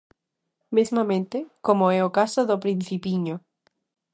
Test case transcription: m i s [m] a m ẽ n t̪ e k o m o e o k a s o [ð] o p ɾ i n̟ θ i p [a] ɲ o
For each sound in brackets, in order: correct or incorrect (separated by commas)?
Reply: correct, correct, incorrect